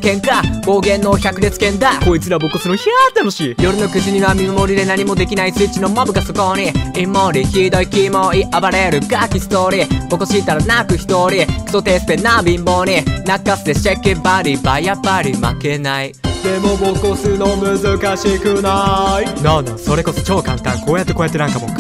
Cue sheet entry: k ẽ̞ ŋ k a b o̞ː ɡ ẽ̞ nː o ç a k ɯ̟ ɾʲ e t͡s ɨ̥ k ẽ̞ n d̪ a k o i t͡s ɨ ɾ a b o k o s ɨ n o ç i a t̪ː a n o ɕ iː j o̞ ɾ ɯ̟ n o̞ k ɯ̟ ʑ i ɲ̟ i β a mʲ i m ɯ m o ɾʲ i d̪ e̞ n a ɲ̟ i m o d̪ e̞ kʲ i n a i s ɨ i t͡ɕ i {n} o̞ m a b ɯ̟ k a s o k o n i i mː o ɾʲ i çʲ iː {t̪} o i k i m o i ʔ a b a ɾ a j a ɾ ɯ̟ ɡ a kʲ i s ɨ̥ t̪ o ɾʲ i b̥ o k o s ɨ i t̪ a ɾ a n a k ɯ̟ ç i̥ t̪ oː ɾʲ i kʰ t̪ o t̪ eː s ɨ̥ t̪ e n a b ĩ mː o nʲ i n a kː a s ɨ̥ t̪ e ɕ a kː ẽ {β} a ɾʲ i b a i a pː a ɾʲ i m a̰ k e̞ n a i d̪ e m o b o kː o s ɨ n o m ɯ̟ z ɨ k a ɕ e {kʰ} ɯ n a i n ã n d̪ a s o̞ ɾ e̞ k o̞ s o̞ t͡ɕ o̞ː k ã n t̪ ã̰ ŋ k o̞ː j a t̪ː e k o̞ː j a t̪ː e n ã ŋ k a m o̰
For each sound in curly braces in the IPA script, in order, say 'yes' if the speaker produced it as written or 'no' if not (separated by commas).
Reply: yes, no, no, no